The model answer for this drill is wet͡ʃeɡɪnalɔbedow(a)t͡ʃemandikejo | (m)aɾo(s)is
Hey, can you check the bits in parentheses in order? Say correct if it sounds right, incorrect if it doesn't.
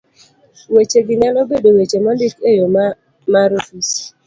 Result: incorrect, correct, incorrect

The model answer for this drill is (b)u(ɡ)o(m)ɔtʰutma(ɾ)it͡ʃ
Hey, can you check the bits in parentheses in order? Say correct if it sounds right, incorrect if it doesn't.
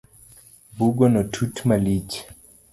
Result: correct, correct, incorrect, incorrect

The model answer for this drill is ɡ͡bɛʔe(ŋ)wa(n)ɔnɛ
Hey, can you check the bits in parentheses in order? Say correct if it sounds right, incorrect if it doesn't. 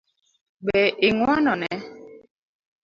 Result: correct, correct

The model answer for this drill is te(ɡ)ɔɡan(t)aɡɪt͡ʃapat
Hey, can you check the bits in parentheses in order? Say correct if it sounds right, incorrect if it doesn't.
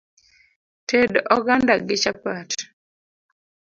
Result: incorrect, incorrect

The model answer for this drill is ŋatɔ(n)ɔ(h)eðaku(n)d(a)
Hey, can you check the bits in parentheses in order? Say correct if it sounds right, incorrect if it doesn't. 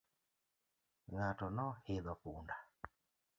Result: correct, correct, correct, correct

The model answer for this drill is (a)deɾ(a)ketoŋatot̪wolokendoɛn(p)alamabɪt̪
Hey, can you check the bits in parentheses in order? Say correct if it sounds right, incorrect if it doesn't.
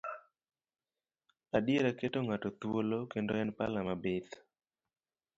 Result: correct, correct, correct

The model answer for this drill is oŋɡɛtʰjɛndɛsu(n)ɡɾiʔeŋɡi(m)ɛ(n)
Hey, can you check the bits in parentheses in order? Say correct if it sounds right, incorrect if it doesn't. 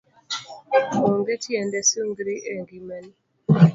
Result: incorrect, correct, correct

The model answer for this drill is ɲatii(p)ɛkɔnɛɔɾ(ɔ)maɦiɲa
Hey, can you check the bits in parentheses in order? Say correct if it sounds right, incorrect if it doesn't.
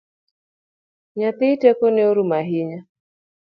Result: incorrect, incorrect

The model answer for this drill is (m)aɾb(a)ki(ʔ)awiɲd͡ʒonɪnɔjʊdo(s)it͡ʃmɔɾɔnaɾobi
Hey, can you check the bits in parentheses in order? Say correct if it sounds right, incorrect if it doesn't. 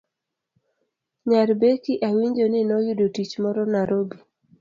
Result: incorrect, incorrect, correct, incorrect

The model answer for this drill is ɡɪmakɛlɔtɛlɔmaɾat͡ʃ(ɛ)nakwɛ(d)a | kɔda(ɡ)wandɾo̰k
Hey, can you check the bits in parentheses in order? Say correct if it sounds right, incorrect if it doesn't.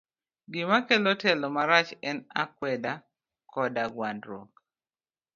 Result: correct, correct, correct

